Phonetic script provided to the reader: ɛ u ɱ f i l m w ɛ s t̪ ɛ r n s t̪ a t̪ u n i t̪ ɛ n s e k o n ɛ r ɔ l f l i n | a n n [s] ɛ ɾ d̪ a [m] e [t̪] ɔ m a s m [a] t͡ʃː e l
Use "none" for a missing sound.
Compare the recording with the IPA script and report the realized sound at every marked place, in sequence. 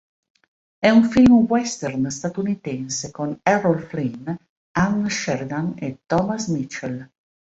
ʃ, n, t̪, i

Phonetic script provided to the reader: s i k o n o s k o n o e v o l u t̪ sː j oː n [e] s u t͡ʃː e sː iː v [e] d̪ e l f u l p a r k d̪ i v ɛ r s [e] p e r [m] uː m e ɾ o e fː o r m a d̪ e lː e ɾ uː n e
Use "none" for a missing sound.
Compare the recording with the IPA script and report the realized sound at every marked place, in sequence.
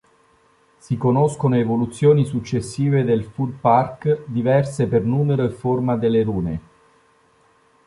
i, e, e, n

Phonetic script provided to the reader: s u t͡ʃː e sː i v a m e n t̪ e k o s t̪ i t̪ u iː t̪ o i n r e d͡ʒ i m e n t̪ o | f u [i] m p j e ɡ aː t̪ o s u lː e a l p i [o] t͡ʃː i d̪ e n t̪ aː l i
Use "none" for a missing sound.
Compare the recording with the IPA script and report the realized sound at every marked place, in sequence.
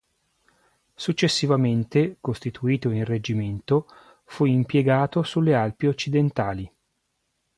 i, o

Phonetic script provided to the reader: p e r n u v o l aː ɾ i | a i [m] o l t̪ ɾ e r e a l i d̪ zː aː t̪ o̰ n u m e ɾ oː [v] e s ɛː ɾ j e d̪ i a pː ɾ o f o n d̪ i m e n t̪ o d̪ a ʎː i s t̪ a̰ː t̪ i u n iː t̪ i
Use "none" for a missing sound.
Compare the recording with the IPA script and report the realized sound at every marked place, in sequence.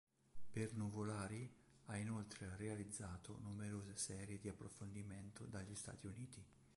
n, z

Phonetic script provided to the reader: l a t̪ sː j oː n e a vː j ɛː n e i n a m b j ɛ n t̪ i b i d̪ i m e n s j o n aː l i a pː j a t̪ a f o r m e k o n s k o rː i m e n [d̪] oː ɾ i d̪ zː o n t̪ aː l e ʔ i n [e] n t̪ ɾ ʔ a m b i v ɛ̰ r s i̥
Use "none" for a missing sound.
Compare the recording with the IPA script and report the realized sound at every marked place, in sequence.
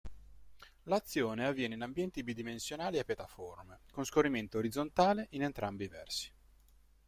t̪, e

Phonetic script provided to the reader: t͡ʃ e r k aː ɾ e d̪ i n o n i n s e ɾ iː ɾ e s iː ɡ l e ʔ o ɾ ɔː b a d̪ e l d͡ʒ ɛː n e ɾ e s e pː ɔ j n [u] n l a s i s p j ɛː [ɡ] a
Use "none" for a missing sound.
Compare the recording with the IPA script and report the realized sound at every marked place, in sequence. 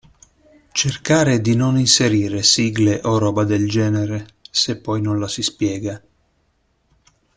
o, ɡ

